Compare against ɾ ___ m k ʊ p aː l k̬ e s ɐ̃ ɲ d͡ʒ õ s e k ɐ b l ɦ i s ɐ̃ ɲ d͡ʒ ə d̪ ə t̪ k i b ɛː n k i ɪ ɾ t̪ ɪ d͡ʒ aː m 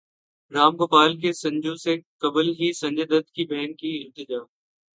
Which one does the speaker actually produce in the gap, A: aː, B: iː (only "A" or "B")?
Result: A